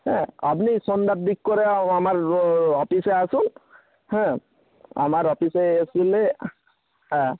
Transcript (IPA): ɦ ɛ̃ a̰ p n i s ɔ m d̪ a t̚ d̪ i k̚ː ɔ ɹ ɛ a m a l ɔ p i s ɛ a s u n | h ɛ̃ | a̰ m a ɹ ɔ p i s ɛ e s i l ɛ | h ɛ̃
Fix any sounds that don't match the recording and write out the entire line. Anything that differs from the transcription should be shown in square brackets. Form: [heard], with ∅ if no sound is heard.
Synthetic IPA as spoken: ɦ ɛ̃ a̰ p n i s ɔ [n] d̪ a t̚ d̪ i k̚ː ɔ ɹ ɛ a m a [ɹ] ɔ p i s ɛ a s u n | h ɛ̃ | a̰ m a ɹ ɔ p i s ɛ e s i l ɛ | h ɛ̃